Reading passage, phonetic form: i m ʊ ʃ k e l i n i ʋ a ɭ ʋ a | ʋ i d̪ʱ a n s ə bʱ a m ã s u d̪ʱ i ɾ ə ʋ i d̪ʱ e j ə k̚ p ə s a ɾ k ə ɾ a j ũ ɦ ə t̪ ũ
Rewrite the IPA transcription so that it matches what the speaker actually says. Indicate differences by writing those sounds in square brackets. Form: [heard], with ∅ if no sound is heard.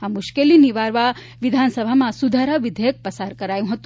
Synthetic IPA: [a] m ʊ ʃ k e l i n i ʋ a [ɾ] ʋ a | ʋ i d̪ʱ a n s ə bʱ a m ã s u d̪ʱ [a] ɾ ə ʋ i d̪ʱ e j ə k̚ p ə s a ɾ k ə ɾ a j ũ ɦ ə t̪ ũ